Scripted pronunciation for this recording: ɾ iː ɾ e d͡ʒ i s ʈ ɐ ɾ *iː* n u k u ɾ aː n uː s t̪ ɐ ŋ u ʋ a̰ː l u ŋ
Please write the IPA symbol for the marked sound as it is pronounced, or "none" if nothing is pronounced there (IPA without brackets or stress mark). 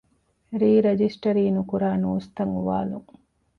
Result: iː